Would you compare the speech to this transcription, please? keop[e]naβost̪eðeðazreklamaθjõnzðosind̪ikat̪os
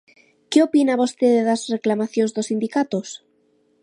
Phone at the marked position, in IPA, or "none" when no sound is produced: i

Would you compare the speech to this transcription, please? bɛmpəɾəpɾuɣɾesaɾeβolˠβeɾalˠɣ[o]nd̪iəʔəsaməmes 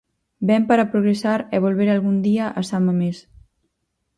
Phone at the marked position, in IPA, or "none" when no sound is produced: u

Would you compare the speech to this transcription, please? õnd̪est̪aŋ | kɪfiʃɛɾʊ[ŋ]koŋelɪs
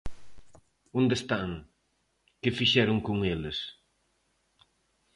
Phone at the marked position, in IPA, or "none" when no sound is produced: ŋ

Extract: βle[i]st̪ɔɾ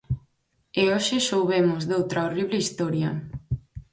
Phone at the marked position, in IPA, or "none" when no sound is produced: i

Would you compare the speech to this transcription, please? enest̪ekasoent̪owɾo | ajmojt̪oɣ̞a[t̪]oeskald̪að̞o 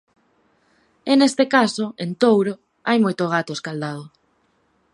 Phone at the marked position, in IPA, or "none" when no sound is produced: t̪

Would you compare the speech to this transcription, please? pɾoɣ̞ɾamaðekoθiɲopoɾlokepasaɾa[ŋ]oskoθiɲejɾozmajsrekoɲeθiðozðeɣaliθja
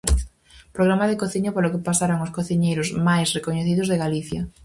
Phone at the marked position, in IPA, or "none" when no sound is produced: ŋ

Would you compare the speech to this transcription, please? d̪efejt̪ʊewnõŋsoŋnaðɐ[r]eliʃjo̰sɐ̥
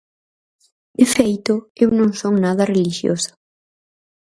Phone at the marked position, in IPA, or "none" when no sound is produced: r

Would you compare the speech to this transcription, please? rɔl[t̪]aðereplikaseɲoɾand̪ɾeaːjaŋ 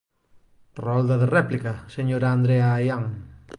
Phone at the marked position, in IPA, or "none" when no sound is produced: d̪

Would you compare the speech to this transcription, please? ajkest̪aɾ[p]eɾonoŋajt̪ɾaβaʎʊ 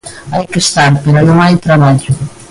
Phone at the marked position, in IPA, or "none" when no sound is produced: p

